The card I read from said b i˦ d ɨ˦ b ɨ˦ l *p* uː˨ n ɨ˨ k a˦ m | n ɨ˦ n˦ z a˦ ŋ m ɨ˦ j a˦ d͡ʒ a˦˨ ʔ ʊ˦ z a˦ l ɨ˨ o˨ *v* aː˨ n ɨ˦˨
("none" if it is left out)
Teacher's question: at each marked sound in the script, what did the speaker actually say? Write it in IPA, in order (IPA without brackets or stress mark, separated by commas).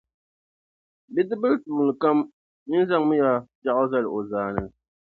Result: t, z